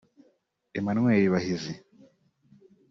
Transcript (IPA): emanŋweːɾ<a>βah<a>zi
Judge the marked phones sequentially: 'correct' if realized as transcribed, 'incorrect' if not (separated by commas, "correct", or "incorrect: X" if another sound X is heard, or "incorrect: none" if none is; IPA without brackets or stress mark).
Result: incorrect: i, incorrect: i